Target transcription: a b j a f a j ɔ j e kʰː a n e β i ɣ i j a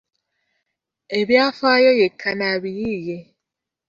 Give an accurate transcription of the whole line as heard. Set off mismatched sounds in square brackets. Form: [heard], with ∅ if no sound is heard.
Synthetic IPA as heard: [e] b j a f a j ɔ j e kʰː a n [a] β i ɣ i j [e]